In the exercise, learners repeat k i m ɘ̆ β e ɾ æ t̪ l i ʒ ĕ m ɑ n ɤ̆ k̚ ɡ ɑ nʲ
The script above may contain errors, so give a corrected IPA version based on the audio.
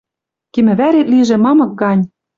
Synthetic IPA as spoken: k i m ɘ̆ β æ ɾ e t̪ l i ʒ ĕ m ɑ m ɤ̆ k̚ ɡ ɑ nʲ